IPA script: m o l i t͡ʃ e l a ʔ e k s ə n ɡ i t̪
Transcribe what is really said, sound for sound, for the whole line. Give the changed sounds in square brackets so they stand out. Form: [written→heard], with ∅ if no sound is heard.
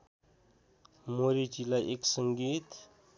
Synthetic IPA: m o [l→ɾ] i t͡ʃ [e→i] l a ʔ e k s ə [n→ŋ] ɡ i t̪

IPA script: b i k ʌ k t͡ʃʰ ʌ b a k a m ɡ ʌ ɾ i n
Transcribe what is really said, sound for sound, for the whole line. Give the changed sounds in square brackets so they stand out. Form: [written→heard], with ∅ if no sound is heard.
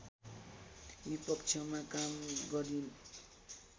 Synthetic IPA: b i [k→p] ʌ k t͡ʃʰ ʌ [b→m] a k a m ɡ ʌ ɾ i n

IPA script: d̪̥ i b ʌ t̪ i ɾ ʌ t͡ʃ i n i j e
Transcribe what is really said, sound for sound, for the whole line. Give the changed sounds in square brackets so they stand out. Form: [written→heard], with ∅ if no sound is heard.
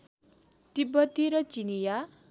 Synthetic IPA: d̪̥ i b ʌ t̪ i ɾ ʌ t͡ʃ i n i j [e→a]

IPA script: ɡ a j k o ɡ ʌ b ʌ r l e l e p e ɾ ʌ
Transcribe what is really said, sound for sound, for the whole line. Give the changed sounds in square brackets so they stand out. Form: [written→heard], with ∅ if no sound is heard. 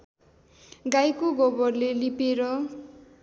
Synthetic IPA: ɡ a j k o ɡ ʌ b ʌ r l e l [e→i] p e ɾ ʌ

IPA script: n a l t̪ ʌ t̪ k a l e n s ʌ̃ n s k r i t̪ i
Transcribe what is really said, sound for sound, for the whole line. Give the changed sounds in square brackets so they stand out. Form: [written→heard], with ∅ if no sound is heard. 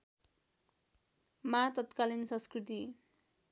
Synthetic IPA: [n→m] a [l→∅] t̪ ʌ t̪ k a l [e→i] n s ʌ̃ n s k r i t̪ i

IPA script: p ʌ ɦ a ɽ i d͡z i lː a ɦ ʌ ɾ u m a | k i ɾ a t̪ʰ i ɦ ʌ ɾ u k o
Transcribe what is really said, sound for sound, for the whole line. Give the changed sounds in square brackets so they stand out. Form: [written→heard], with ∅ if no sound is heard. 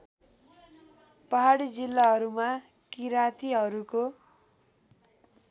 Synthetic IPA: p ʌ ɦ a ɽ i d͡z i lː a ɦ ʌ ɾ u m a | k i ɾ a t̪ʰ i ɦ ʌ ɾ u k o

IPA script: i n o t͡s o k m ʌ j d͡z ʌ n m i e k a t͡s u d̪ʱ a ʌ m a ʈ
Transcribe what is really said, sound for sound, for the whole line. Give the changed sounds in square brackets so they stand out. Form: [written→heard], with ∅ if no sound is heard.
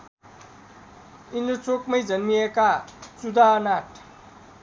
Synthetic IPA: i n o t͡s o k m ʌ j d͡z ʌ n m i e k a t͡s u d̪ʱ a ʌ [m→n] a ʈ

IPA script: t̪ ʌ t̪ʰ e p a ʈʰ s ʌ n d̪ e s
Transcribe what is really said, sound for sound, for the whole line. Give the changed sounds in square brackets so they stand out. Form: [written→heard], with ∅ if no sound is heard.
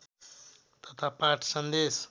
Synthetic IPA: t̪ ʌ t̪ʰ [e→a] p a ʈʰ s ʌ n d̪ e s

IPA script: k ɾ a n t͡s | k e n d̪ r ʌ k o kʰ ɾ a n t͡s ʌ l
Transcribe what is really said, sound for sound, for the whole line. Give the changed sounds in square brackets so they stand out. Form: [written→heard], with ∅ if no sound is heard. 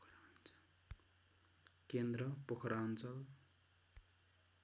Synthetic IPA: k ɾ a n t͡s | k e n d̪ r ʌ [k→p] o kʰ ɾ a n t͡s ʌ l

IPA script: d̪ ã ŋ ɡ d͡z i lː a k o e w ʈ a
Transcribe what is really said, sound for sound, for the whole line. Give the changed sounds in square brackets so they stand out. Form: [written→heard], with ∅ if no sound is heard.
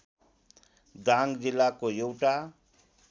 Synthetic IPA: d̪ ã ŋ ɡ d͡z i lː a k o e w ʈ a

